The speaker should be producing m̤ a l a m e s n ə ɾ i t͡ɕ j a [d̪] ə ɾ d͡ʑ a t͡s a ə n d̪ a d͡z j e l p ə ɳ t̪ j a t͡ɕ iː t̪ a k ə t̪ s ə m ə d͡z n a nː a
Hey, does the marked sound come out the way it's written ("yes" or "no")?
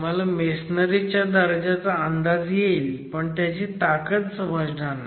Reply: yes